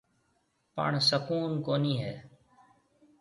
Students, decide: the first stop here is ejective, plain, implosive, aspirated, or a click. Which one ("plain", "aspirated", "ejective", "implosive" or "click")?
plain